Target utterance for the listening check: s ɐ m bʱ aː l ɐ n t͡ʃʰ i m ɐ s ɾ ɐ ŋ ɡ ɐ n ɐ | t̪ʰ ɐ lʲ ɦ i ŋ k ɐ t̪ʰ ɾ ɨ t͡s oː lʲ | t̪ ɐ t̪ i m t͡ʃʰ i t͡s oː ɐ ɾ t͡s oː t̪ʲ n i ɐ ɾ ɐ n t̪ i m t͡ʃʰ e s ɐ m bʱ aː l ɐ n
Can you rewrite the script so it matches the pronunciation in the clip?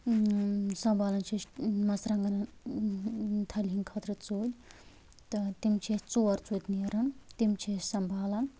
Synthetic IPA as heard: s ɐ m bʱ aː l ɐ n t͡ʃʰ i m ɐ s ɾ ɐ ŋ ɡ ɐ n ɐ | t̪ʰ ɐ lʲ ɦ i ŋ kʰ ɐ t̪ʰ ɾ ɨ t͡s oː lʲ | t̪ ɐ t̪ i m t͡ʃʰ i t͡s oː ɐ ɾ t͡s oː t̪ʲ n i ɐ ɾ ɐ n t̪ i m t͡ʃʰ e s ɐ m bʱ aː l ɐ n